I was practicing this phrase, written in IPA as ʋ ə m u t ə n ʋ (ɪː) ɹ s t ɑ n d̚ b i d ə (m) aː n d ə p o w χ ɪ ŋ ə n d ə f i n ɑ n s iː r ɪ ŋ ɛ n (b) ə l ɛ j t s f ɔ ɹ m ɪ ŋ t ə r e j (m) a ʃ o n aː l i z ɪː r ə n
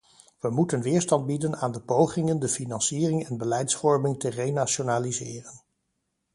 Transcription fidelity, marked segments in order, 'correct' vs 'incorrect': correct, incorrect: n, correct, incorrect: n

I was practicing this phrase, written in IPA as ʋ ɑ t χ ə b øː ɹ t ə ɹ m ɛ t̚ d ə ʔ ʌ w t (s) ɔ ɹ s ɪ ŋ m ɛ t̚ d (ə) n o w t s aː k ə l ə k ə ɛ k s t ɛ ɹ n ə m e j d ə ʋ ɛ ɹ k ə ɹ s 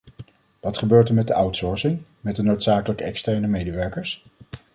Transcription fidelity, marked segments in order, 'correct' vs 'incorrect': correct, correct

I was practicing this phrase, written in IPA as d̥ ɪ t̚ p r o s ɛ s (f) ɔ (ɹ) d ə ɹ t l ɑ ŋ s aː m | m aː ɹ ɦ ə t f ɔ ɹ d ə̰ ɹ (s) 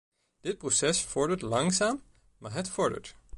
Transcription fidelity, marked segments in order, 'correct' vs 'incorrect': correct, correct, incorrect: t

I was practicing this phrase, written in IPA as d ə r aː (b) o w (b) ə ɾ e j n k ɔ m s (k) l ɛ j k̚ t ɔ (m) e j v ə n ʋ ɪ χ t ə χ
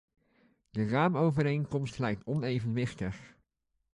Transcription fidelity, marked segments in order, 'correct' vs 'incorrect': incorrect: m, incorrect: v, incorrect: t, incorrect: n

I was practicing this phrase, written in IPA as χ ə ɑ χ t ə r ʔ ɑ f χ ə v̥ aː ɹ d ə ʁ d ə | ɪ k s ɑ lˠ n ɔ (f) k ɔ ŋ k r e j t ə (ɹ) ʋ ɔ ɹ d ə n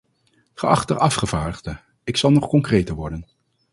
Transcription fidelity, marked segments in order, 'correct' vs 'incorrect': incorrect: χ, correct

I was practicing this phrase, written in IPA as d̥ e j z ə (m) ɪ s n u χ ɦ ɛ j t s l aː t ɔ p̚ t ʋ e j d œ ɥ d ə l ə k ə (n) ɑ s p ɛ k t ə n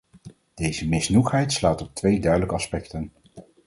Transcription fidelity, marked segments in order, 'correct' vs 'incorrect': correct, incorrect: none

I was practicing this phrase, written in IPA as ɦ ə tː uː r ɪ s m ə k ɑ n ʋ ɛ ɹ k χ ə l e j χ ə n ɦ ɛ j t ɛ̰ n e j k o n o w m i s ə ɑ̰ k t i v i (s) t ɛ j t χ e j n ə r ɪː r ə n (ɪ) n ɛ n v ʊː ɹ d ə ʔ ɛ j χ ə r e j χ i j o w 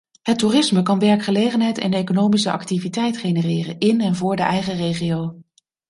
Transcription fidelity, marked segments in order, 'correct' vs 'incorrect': incorrect: none, correct

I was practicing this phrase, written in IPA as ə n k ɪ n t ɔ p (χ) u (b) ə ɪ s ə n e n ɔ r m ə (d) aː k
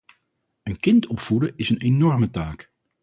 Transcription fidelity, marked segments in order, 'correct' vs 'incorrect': incorrect: f, incorrect: d, incorrect: t

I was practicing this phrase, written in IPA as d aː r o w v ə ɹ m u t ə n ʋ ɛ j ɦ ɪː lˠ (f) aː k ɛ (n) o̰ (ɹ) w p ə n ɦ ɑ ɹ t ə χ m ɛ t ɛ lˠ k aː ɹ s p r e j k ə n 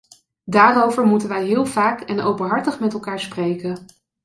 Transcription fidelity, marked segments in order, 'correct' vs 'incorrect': incorrect: v, correct, incorrect: none

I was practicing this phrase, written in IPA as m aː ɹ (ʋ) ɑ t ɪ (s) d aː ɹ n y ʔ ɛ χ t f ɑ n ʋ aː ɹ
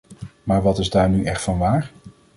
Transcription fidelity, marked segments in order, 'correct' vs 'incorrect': correct, incorrect: z

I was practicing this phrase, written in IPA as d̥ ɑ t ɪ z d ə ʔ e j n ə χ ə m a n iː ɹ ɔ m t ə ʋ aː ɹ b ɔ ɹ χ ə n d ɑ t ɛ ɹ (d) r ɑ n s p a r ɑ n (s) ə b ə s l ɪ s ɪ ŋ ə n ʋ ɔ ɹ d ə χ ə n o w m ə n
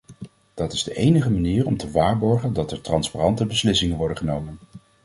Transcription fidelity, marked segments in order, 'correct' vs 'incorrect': incorrect: t, incorrect: t

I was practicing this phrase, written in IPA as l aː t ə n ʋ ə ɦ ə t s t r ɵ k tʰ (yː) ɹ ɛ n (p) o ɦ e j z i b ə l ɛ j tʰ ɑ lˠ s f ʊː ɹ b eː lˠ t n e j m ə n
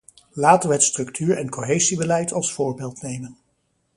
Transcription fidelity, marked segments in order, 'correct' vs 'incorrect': correct, incorrect: k

